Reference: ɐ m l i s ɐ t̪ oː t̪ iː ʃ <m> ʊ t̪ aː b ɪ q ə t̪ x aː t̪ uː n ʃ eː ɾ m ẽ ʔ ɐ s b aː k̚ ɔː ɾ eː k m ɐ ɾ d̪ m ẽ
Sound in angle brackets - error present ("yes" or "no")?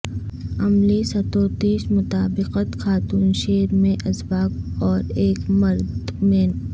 no